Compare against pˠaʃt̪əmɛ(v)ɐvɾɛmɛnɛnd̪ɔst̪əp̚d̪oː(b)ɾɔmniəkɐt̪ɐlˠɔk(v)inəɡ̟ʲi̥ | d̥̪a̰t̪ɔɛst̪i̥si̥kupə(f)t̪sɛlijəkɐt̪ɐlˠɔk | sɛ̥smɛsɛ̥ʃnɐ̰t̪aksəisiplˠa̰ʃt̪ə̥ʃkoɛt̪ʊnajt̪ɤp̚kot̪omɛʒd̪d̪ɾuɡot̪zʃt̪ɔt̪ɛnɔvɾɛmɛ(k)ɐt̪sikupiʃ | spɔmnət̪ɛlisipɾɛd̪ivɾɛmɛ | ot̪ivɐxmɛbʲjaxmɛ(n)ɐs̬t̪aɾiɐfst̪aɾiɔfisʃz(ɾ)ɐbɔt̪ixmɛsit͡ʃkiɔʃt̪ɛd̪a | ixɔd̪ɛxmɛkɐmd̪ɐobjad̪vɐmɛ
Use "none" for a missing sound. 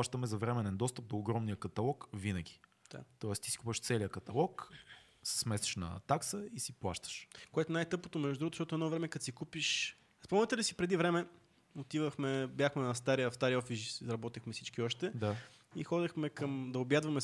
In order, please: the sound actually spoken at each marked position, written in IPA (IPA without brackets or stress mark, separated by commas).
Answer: z, ɡ, v, ʃ, k, n, ɾ